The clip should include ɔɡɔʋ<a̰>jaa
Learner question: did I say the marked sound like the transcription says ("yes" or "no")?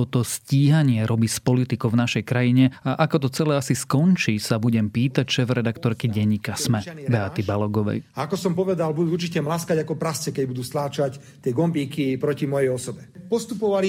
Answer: no